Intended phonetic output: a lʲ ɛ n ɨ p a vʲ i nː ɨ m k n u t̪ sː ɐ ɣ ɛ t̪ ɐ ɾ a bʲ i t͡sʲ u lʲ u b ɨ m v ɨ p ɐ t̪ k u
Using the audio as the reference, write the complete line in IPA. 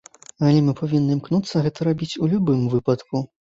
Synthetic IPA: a lʲ ɛ m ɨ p a vʲ i nː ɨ m k n u t̪ sː ɐ ɣ ɛ t̪ ɐ ɾ a bʲ i t͡sʲ u lʲ u b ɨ m v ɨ p ɐ t̪ k u